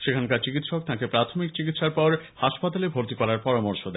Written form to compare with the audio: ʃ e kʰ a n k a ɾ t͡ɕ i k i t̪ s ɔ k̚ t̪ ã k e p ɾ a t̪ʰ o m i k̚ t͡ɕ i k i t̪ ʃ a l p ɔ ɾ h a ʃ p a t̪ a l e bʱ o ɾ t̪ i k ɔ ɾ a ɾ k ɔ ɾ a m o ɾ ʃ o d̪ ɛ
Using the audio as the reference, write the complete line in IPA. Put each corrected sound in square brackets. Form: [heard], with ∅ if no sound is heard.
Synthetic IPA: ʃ e kʰ a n k a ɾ t͡ɕ i k i t̪ [ʃ] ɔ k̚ t̪ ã k e p ɾ a t̪ʰ o m i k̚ t͡ɕ i k i t̪ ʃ a [ɾ] p ɔ ɾ h a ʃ p a t̪ a l e bʱ o ɾ t̪ i k ɔ ɾ a ɾ [p] ɔ ɾ a m o ɾ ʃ o d̪ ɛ